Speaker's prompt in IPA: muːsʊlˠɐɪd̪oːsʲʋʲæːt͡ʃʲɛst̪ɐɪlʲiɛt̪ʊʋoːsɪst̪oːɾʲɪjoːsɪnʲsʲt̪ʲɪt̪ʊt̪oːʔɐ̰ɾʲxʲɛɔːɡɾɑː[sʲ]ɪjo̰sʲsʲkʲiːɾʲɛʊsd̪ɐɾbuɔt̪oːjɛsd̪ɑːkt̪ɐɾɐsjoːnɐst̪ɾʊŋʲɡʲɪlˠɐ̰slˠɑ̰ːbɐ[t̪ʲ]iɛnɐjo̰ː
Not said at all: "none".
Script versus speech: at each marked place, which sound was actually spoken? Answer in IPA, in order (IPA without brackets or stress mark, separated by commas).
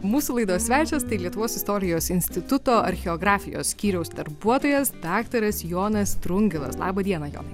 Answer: fʲ, d̪ʲ